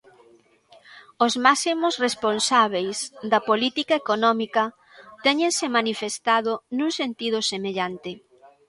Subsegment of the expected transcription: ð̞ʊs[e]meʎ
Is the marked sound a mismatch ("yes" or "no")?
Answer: no